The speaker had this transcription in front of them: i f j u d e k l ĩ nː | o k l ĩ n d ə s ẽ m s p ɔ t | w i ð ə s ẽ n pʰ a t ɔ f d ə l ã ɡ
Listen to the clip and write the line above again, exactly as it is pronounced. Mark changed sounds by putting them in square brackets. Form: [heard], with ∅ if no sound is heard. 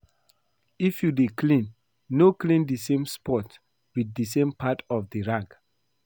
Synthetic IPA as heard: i f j u d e k l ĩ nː | o k l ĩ n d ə s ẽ m s p ɔ t | w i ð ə s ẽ [m] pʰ a t ɔ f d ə [ɹ] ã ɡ